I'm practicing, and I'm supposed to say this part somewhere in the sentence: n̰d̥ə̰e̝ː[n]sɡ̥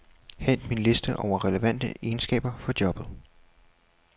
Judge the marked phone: correct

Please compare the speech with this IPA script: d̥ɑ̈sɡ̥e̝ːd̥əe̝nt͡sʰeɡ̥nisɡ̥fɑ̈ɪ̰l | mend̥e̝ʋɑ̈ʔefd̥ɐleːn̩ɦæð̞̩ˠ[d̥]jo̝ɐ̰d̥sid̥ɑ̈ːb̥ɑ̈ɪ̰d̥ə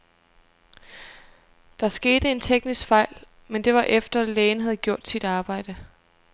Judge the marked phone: incorrect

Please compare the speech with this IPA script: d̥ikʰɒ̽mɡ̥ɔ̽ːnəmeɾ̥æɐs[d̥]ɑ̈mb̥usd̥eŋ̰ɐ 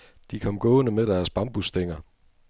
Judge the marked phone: incorrect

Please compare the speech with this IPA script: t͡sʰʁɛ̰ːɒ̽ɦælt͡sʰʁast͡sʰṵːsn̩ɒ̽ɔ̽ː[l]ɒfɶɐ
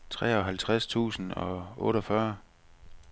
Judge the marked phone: incorrect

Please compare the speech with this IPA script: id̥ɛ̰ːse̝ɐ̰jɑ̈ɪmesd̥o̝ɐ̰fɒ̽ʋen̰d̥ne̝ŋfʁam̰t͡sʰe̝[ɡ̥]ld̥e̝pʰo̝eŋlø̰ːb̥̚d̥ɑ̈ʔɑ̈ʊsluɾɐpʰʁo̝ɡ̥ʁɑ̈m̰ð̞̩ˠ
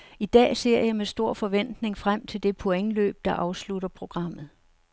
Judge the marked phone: incorrect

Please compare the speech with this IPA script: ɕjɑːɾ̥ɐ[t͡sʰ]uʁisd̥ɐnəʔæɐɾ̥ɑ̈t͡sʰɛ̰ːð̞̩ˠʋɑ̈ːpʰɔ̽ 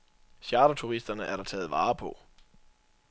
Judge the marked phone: correct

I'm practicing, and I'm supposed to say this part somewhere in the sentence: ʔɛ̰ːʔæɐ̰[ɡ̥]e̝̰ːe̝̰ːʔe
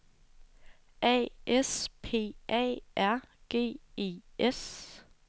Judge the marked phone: correct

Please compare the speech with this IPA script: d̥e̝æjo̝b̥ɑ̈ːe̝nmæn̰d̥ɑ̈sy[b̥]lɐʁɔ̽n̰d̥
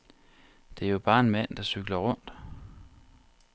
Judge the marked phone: incorrect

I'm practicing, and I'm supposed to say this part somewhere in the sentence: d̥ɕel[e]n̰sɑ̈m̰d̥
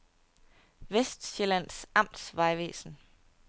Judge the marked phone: incorrect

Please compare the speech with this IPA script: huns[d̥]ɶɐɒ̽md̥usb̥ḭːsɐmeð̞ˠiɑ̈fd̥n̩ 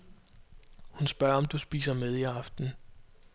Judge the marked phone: incorrect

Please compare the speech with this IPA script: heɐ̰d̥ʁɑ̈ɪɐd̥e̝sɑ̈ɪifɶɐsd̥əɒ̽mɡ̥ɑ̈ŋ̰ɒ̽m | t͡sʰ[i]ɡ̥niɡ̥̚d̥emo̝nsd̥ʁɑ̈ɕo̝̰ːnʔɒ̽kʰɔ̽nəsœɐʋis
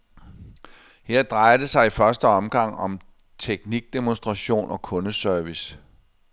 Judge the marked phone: incorrect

